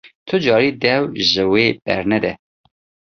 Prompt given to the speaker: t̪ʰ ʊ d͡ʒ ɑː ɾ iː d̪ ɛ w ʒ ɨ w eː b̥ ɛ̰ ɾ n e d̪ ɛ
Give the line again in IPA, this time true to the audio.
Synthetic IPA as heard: t̪ʰ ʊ d͡ʒ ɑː ɾ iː d̪ ɛ w ʒ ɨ w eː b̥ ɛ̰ ɾ n ɛ d̪ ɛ